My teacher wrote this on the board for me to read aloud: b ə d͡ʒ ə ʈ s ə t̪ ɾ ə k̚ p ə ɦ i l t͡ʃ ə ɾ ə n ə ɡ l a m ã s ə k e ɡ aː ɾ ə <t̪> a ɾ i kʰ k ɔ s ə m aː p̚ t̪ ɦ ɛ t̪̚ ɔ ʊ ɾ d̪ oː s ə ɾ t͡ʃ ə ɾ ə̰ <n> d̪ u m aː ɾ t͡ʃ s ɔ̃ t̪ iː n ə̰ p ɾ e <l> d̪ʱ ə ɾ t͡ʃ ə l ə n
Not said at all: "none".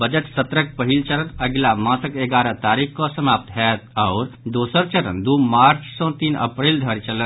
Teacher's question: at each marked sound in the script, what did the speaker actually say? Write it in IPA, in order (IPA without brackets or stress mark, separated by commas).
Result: t̪, n, l